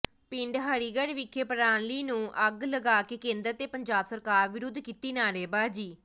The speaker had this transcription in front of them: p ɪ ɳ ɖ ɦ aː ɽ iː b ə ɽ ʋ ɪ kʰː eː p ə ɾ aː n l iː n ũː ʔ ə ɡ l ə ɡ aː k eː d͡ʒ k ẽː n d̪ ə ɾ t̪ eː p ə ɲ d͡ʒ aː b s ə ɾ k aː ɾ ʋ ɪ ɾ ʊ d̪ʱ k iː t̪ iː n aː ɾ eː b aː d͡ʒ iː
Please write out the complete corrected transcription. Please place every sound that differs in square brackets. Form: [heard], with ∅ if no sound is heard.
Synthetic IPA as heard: p ɪ ɳ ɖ ɦ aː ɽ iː [ɡ] ə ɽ ʋ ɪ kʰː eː p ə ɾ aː n l iː n ũː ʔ ə ɡ l ə ɡ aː k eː [∅] k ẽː n d̪ ə ɾ t̪ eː p ə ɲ d͡ʒ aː b s ə ɾ k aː ɾ ʋ ɪ ɾ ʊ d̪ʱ k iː t̪ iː n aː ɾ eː b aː d͡ʒ iː